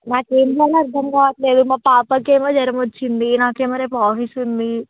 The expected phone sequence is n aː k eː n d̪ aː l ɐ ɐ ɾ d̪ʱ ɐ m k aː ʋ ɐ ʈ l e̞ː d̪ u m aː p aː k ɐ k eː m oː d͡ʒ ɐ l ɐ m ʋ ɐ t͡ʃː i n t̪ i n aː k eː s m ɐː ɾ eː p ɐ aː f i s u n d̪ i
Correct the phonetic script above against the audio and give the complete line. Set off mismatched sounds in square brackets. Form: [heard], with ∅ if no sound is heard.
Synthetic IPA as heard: n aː k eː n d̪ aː l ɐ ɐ ɾ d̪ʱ ɐ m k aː ʋ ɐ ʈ l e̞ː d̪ u m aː p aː [p] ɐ k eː m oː d͡ʒ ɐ [ɾ] ɐ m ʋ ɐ t͡ʃː i n [d̪] i n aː k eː [∅] m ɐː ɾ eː p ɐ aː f i s u n d̪ i